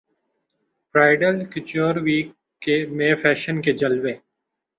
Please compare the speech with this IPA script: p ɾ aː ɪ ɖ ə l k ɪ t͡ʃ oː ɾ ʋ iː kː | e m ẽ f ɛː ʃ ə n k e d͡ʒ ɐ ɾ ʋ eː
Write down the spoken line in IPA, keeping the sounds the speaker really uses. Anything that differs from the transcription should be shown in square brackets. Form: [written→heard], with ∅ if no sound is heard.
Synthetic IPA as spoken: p ɾ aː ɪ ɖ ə l k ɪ t͡ʃ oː ɾ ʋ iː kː | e m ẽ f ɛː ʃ ə n k e d͡ʒ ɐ [ɾ→l] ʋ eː